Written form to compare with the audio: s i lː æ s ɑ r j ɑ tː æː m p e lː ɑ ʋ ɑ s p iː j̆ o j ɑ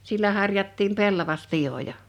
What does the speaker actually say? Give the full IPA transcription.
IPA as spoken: s i lː æ h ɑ r j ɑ tː iː m p e lː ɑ ʋ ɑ s p i j̆ o j ɑ